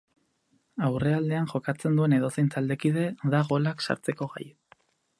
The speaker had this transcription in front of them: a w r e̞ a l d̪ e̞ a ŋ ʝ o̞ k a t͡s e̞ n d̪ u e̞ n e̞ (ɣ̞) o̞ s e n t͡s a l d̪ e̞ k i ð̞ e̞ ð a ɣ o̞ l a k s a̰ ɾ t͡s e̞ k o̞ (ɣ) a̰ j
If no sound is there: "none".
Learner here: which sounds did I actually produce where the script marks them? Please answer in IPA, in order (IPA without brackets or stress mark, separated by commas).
ð̞, ɣ